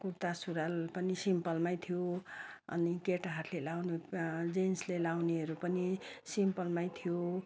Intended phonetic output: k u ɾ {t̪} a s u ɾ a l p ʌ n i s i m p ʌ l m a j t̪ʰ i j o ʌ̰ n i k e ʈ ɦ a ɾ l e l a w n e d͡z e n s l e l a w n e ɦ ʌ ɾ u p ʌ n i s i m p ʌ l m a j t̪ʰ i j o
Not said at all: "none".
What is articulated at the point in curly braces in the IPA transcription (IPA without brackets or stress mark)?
t̪